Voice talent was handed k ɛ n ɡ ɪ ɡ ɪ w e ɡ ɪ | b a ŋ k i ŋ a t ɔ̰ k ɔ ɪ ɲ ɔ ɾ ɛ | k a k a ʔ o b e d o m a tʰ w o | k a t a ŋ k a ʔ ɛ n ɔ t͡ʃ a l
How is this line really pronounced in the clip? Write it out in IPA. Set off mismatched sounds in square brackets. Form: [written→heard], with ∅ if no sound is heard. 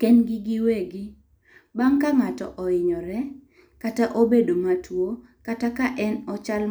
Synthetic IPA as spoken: k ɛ n ɡ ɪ ɡ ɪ w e ɡ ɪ | b a ŋ k [i→a] ŋ a t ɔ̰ [k→ʔ] ɔ ɪ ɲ ɔ ɾ ɛ | k a [k→t] a ʔ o b e d o m a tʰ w o | k a t a [ŋ→∅] k a ʔ ɛ n ɔ t͡ʃ a l